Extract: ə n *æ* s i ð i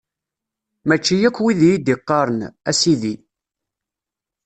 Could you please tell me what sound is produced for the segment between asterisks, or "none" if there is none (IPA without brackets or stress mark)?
æ